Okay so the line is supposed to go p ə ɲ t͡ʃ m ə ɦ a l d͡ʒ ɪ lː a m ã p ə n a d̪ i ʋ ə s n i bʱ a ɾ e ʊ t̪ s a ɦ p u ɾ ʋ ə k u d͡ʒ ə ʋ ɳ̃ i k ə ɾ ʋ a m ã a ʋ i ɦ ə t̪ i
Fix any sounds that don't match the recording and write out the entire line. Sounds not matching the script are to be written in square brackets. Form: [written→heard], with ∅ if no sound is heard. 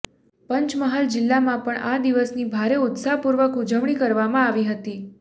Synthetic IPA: p ə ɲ t͡ʃ m ə ɦ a l d͡ʒ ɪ lː a m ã p ə [n→ɳ] a d̪ i ʋ ə s n i bʱ a ɾ e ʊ t̪ s a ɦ p u ɾ ʋ ə k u d͡ʒ ə ʋ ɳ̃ i k ə ɾ ʋ a m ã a ʋ i ɦ ə t̪ i